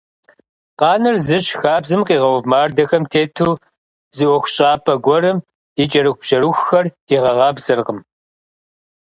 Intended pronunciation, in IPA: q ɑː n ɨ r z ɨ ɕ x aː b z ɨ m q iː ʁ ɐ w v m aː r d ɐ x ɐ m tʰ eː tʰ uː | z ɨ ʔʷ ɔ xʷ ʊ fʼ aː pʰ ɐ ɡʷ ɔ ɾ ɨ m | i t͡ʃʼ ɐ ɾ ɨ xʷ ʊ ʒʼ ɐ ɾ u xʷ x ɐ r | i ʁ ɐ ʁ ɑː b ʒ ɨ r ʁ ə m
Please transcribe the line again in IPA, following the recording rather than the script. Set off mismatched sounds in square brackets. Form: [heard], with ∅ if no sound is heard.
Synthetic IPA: q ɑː n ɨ r z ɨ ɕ x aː b z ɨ m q iː ʁ ɐ w v m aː r d ɐ x ɐ m tʰ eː tʰ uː | z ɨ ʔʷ ɔ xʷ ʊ [ɕʼ] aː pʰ ɐ ɡʷ ɔ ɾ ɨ m | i t͡ʃʼ ɐ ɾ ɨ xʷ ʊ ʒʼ ɐ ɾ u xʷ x ɐ r | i ʁ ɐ ʁ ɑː b [z] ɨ r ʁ ə m